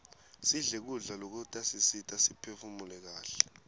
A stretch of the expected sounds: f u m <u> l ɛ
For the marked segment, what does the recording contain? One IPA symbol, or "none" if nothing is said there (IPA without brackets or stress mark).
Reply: u